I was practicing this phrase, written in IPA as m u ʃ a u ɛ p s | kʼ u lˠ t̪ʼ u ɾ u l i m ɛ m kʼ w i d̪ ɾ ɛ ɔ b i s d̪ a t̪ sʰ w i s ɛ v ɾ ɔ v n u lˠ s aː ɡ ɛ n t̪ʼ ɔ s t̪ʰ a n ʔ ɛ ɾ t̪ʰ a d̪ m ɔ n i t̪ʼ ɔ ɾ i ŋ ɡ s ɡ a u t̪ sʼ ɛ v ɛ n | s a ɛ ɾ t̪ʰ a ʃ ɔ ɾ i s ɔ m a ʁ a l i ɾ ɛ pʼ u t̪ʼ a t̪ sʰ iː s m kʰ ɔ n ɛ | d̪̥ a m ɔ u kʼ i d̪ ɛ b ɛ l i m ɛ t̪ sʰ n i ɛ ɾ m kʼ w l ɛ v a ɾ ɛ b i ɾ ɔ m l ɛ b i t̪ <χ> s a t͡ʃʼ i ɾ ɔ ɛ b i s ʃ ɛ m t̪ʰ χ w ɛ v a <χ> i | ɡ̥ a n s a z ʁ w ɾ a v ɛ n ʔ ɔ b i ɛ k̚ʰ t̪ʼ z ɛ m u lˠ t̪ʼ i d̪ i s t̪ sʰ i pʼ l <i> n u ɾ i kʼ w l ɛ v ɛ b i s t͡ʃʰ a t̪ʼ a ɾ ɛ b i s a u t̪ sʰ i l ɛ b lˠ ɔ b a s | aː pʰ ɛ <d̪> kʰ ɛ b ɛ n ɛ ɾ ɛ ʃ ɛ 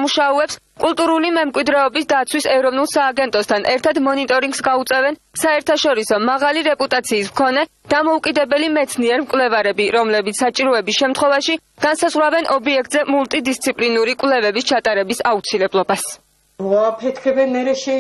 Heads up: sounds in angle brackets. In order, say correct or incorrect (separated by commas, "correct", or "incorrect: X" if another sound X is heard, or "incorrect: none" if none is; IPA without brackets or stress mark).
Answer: incorrect: s, incorrect: ʃ, correct, incorrect: t̪